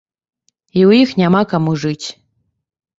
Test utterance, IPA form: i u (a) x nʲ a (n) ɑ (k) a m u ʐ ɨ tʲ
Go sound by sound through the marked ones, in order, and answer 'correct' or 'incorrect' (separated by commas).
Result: incorrect, incorrect, correct